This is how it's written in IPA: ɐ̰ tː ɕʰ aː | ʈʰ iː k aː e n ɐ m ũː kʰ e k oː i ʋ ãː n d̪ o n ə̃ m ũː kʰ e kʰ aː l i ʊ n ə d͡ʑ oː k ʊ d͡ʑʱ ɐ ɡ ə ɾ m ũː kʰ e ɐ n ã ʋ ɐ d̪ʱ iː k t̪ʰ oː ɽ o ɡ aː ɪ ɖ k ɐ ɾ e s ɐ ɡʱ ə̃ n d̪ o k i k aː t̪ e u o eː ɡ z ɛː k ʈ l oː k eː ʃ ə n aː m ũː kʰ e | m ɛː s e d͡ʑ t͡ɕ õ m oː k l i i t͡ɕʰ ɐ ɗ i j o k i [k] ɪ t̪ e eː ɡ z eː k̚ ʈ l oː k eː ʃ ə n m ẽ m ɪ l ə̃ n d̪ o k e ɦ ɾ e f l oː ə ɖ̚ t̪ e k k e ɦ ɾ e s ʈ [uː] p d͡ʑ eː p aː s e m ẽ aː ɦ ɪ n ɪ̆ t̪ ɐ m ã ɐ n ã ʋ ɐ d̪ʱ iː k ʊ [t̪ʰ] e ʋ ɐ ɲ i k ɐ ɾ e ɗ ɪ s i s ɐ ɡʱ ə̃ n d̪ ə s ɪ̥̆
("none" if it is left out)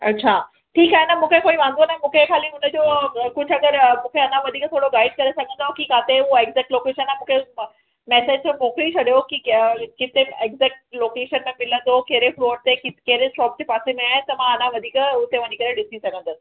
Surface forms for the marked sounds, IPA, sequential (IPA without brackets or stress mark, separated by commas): k, ɔː, t̪